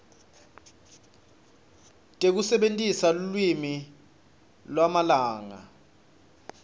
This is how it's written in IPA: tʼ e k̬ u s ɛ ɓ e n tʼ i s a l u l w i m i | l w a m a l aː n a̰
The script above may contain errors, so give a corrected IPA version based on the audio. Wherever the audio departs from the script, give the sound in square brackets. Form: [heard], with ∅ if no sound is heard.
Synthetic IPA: tʼ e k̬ u s ɛ ɓ e n tʼ i s a l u l w i m i | l w a m a l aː [ŋ] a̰